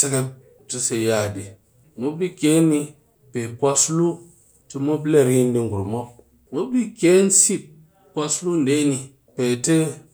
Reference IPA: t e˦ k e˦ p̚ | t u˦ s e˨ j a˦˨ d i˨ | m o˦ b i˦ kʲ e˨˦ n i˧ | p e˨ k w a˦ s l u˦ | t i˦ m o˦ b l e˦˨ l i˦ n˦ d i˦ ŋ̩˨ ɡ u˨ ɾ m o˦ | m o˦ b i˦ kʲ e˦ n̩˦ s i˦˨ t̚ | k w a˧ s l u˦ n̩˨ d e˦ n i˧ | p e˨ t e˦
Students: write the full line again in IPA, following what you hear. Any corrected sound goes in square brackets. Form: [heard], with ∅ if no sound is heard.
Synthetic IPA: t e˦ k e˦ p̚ | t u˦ s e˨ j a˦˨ d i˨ | m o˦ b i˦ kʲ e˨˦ n i˧ | p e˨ k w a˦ s l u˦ | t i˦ m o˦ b l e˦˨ [ɾ] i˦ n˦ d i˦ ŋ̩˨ ɡ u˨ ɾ m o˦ | m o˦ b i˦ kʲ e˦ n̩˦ s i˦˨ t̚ | k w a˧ s l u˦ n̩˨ d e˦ n i˧ | p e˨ t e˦